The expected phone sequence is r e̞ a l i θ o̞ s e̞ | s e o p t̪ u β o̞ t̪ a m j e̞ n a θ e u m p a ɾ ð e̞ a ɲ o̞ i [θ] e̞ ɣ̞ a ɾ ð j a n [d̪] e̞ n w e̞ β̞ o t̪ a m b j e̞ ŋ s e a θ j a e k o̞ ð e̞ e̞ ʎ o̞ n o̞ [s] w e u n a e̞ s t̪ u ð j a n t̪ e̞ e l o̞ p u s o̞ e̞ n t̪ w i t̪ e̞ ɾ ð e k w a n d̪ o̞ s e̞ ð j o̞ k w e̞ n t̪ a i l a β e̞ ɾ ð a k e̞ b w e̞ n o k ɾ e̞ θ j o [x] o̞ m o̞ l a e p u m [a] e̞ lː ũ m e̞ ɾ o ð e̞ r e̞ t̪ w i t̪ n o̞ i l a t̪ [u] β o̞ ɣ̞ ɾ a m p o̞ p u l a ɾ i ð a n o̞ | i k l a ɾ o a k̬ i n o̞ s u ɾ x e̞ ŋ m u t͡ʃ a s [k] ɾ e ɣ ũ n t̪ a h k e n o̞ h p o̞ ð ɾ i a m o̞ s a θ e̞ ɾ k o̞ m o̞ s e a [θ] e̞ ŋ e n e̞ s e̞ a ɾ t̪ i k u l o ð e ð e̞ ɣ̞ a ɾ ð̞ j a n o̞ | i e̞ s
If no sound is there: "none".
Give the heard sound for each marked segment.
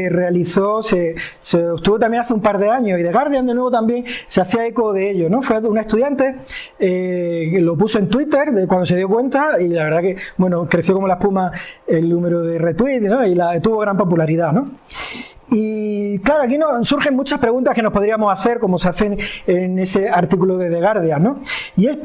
ð, d̪, f, k, a, u, p, θ

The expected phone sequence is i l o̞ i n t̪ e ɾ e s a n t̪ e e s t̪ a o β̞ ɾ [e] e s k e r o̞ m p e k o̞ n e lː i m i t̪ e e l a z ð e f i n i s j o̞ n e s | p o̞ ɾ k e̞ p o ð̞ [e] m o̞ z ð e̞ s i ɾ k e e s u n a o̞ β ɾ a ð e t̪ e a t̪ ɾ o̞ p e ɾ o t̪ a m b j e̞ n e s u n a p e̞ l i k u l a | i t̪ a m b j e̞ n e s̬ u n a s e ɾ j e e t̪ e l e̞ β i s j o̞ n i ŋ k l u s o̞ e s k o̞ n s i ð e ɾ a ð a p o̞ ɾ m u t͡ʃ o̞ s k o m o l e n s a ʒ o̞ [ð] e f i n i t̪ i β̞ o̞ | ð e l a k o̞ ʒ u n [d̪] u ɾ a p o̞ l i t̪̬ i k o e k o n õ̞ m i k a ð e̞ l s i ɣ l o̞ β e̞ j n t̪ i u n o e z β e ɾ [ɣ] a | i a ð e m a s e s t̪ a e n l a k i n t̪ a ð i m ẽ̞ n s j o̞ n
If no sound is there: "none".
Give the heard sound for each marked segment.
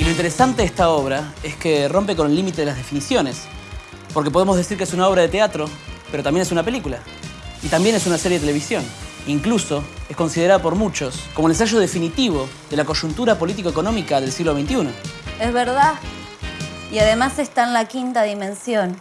a, e, ð, t̪, ð

